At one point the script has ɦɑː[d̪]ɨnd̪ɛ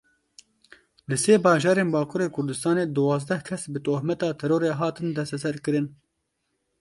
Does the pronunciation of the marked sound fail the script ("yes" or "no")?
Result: yes